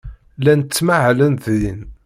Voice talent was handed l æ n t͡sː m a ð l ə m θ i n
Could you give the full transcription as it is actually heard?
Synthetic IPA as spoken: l æ n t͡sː m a ʕ l ə n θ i n